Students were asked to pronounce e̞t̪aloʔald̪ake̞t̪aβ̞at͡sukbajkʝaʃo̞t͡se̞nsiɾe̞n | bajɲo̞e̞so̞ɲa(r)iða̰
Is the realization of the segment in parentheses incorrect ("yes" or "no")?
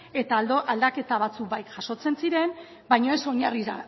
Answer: no